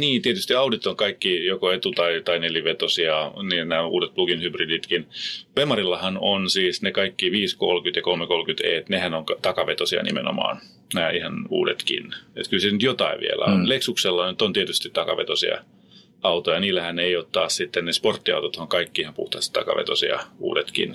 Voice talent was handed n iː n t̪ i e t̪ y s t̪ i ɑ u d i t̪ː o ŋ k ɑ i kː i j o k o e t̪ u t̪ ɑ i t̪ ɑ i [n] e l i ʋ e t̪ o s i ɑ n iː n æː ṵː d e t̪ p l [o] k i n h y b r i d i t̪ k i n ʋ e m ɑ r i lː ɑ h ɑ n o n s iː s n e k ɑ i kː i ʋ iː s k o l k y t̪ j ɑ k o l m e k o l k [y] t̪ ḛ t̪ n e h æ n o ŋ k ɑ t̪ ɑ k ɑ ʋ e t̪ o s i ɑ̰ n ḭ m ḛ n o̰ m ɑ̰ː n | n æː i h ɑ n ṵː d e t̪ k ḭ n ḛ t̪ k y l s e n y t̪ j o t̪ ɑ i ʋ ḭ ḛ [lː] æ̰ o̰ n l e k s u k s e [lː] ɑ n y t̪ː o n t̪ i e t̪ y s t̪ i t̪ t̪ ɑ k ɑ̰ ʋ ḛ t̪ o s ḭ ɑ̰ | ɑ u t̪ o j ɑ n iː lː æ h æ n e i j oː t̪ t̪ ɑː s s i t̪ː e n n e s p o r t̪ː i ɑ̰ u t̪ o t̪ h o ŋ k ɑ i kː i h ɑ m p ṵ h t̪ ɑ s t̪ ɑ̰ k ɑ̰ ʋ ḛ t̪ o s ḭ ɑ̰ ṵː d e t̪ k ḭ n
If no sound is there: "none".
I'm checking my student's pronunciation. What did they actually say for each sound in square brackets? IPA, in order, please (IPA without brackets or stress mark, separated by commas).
n, u, y, l, lː